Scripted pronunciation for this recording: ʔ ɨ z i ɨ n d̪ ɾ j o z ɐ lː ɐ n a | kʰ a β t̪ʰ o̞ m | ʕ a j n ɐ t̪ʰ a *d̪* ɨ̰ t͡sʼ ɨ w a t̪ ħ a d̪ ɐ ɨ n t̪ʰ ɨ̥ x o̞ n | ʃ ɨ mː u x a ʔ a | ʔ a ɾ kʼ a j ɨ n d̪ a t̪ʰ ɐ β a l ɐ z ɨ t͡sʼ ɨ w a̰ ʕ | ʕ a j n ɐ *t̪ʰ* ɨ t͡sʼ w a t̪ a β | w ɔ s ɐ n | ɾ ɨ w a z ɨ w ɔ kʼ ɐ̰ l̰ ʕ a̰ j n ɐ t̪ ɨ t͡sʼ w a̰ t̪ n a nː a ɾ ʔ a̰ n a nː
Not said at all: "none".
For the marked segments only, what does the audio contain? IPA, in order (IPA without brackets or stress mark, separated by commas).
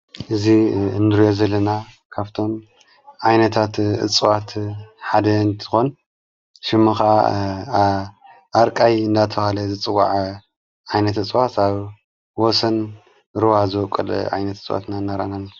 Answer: t̪, t̪